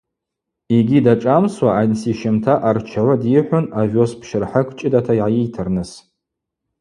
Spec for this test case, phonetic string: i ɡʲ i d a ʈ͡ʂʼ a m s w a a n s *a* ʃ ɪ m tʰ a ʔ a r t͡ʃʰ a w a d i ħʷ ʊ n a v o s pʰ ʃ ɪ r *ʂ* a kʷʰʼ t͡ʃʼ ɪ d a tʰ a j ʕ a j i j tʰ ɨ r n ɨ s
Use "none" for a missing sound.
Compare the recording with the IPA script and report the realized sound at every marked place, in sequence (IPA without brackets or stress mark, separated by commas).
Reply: i, ħ